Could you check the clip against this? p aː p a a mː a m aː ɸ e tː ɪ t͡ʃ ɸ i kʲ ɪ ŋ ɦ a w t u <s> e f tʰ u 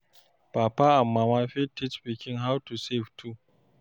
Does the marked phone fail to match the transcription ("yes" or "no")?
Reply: no